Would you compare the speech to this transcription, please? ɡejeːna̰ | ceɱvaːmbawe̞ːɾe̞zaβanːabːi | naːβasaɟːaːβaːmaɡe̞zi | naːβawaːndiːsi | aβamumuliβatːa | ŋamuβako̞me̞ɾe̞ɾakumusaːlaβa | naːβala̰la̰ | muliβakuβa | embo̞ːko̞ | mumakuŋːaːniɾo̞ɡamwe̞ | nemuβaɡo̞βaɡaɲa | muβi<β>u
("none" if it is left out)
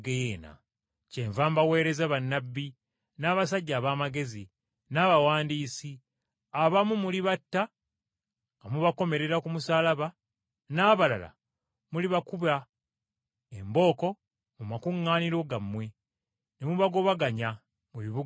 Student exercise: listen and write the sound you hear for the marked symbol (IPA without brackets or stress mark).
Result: β